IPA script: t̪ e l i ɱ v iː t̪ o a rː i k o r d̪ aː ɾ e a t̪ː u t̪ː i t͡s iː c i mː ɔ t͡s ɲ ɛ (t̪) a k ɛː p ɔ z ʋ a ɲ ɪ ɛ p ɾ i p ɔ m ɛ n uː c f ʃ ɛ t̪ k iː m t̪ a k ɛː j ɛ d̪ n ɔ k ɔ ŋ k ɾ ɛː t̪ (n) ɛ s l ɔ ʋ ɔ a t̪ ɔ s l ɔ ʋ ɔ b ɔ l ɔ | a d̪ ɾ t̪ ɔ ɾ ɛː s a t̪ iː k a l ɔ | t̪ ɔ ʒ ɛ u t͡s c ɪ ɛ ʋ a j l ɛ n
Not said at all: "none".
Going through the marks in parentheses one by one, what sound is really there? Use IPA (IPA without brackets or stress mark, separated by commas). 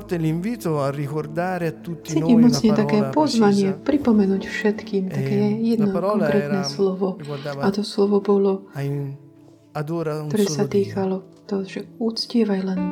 t̪, n